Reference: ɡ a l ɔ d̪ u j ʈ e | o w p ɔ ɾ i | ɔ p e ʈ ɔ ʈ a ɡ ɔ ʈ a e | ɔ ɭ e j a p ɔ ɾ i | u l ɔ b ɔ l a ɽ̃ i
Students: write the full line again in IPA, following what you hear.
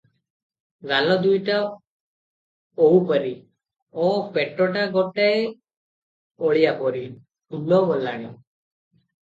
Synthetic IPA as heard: ɡ a l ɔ d̪ u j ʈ a | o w p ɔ ɾ i | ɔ p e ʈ ɔ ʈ a ɡ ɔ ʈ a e | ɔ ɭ i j a p ɔ ɾ i | u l ɔ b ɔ l a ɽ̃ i